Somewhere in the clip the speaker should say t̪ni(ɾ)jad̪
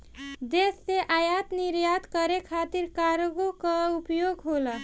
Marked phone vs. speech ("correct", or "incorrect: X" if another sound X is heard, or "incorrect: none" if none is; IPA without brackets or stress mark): correct